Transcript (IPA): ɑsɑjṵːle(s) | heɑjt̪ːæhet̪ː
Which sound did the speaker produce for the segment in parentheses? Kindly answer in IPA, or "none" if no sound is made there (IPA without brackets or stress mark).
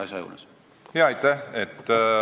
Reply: s